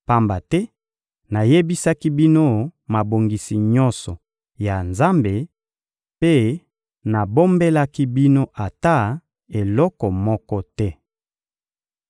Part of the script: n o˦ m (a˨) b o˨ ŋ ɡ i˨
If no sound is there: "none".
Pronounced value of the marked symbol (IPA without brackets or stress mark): a˨